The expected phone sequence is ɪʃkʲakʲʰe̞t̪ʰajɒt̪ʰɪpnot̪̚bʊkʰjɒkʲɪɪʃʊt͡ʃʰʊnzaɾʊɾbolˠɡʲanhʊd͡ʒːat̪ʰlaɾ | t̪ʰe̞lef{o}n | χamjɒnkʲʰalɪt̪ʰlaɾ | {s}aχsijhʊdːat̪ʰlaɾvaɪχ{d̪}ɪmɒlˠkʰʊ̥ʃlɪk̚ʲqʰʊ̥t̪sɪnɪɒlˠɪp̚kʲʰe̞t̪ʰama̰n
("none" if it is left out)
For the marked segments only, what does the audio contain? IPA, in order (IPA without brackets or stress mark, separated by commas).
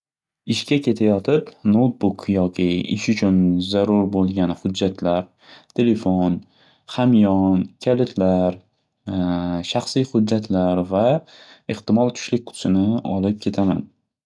o, ʃ, t̪